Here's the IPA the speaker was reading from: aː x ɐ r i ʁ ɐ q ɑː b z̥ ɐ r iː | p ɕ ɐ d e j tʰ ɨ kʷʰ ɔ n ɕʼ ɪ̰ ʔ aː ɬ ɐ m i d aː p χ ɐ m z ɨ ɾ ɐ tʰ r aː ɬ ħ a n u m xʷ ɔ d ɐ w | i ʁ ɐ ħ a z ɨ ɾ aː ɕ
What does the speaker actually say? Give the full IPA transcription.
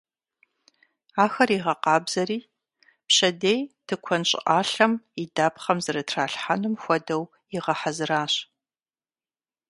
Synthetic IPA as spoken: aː x ɐ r i ʁ ɐ q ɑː b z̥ ɐ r iː | p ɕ ɐ d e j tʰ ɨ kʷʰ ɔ n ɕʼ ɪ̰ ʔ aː ɬ ɐ m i d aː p χ ɐ m z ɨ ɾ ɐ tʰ r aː ɬ ħ a n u m xʷ ɔ d ɐ w | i ʁ ɐ ħ a z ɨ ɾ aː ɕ